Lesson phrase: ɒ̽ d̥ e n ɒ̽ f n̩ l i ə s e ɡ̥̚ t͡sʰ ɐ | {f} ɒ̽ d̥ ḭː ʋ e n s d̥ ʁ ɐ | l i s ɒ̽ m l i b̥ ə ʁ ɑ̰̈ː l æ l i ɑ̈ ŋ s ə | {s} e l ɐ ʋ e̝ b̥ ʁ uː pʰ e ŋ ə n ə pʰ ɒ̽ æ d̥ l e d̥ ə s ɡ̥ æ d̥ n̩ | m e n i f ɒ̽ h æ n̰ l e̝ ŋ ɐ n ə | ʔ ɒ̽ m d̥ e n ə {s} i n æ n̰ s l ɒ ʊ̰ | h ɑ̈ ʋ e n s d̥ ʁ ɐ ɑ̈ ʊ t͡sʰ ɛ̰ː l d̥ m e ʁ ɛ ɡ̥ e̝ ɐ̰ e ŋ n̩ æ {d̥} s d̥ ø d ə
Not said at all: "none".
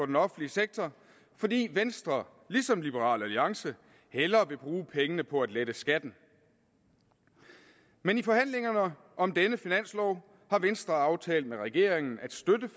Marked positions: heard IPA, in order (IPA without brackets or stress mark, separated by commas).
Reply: f, h, f, d̥